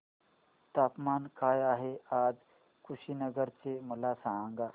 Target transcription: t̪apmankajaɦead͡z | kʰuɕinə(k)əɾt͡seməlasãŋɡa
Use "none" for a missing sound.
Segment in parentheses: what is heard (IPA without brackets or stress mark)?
ɡ